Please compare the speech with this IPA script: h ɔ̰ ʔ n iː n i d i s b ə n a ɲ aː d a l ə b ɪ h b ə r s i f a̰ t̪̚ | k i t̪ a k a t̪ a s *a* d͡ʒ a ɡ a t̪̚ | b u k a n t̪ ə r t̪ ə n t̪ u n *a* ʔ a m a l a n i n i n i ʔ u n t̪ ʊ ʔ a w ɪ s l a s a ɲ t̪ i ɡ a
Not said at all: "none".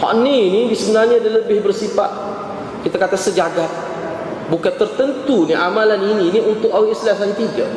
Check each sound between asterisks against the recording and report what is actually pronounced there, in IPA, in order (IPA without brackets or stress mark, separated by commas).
ə, i